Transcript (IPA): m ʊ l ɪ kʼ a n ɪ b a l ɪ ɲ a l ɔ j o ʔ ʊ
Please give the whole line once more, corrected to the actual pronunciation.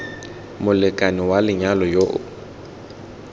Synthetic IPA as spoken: m ʊ l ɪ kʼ a n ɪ w a l ɪ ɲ a l ɔ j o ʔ ʊ